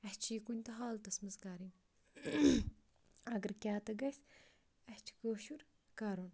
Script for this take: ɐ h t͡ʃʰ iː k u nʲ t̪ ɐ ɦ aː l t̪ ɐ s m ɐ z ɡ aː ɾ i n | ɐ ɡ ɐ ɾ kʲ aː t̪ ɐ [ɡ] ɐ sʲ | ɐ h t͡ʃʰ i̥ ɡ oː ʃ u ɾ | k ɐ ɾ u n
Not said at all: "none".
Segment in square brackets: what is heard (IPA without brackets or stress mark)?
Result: ɡ